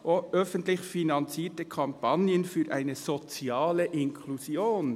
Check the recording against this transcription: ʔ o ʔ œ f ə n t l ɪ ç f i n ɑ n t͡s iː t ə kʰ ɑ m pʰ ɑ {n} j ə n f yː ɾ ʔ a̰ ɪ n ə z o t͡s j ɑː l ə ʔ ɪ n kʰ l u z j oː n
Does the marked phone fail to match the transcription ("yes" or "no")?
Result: no